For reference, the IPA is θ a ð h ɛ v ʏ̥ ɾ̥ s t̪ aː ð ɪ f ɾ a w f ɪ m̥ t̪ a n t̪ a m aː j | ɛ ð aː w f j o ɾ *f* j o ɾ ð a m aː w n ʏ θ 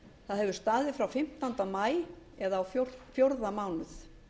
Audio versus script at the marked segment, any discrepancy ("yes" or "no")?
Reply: no